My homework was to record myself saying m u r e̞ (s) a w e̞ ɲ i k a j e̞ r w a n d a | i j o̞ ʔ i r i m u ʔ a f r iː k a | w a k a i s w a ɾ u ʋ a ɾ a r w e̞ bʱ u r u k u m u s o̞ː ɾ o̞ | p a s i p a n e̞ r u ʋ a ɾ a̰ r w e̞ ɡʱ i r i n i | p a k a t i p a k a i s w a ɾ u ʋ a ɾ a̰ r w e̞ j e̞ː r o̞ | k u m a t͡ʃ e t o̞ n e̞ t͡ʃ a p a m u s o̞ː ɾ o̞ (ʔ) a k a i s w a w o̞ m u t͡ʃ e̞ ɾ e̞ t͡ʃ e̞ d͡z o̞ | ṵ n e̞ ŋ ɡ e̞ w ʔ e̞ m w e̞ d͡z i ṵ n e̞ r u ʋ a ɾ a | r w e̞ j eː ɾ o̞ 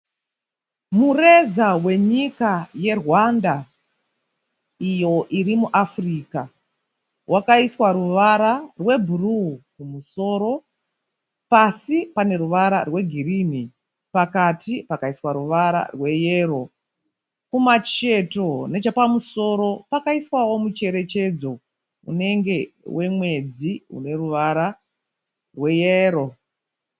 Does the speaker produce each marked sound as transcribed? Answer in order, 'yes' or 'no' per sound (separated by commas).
no, no